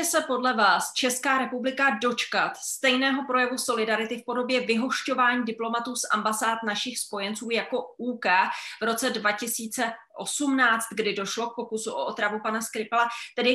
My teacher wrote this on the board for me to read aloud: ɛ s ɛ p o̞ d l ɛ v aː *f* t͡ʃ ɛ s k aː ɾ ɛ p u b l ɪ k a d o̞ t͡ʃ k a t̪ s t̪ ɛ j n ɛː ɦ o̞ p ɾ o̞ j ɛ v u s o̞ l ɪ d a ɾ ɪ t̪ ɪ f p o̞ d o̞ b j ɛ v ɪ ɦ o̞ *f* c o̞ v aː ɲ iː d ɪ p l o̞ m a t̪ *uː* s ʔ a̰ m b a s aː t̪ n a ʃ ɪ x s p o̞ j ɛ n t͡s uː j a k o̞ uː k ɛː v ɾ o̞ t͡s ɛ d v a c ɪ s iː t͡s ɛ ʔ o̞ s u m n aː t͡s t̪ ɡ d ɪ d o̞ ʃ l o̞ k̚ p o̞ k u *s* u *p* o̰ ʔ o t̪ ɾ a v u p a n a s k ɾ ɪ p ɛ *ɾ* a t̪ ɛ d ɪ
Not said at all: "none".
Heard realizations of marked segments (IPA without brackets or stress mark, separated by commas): s, ʃ, uː, s, ʔ, l